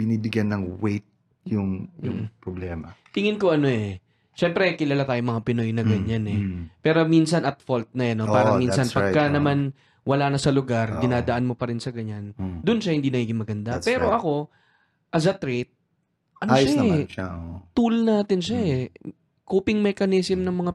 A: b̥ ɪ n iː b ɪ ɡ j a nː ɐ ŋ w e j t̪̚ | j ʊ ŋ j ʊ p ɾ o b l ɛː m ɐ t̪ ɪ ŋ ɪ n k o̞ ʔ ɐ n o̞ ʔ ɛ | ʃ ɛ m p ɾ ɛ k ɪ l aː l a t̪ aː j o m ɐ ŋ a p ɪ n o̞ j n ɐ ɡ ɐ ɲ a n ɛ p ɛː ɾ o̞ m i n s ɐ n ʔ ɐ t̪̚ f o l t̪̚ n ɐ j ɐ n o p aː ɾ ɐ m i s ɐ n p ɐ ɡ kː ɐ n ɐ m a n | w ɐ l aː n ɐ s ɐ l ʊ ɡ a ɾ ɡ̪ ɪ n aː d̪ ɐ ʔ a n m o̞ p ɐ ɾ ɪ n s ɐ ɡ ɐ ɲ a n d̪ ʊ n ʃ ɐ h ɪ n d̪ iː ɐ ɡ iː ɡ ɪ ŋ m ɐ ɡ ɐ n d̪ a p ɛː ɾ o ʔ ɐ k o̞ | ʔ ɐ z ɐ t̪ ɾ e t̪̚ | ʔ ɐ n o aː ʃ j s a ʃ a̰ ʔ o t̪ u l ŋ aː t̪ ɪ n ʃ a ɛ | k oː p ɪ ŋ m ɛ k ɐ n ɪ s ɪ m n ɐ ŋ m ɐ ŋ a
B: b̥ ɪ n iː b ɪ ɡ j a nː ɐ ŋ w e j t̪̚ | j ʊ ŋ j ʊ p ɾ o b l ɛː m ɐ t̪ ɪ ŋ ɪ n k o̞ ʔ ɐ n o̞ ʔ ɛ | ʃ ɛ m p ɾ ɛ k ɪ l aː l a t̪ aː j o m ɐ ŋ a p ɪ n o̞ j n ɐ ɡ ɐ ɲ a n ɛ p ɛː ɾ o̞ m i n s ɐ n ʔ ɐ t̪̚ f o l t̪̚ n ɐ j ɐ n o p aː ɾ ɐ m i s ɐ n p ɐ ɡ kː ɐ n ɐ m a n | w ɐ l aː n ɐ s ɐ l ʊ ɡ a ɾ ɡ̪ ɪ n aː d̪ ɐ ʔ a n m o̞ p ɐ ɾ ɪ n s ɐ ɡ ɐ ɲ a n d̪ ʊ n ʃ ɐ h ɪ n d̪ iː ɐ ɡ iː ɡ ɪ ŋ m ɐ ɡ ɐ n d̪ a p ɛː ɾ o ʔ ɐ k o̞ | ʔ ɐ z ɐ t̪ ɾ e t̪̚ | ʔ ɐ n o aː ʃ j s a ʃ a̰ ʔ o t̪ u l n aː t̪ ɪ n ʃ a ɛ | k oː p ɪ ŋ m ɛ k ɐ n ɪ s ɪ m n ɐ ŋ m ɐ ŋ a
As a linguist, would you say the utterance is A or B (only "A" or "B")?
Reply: B